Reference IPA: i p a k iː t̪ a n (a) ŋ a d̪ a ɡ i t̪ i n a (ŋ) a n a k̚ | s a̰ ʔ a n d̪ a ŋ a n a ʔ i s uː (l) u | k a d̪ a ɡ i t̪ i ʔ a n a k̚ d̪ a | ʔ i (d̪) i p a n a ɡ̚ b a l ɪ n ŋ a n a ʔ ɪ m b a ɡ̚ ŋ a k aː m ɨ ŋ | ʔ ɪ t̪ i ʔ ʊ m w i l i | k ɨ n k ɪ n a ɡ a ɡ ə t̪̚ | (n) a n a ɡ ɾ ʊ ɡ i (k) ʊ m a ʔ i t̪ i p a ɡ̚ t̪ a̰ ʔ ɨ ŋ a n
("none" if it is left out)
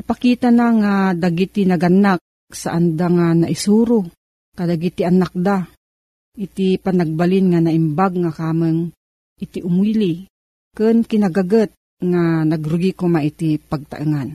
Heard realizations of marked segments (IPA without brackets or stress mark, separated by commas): a, ɡ, ɾ, t̪, ŋ, k